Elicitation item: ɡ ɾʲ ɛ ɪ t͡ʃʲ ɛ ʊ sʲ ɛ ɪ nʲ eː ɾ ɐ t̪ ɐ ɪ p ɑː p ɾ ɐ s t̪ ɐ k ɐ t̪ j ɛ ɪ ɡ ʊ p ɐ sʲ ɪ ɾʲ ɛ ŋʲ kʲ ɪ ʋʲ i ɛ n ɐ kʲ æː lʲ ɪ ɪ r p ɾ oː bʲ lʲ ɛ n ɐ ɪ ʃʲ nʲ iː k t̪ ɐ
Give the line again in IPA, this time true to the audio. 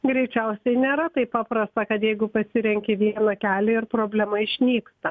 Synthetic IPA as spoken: ɡ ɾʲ ɛ ɪ t͡ʃʲ ɛ ʊ sʲ ɛ ɪ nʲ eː ɾ ɐ t̪ ɐ ɪ p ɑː p ɾ ɐ s t̪ ɐ k ɐ t̪ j ɛ ɪ ɡ ʊ p ɐ sʲ ɪ ɾʲ ɛ ŋʲ kʲ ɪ ʋʲ i ɛ n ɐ kʲ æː lʲ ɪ ɪ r p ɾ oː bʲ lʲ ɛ m ɐ ɪ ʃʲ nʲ iː k t̪ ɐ